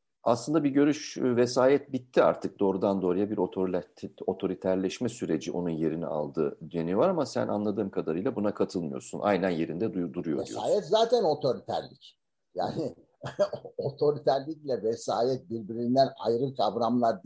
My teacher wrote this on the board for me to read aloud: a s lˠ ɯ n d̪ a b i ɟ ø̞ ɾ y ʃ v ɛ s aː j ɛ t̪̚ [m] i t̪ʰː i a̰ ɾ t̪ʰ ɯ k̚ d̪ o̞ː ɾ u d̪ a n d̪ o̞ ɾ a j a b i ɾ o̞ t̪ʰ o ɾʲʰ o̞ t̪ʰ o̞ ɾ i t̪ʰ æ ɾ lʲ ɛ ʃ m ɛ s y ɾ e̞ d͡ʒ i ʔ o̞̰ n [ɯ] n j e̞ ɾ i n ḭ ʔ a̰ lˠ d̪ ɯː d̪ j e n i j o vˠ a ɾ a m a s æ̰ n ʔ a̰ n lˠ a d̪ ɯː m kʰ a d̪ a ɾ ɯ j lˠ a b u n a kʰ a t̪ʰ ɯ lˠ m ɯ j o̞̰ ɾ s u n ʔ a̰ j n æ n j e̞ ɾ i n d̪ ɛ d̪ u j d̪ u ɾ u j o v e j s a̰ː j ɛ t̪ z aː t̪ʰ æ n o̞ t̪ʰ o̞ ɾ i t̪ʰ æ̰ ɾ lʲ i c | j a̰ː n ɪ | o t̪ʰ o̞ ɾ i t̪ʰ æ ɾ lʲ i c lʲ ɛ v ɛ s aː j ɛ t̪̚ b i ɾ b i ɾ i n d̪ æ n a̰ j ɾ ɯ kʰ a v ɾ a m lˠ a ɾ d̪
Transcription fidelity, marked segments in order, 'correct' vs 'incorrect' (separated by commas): incorrect, incorrect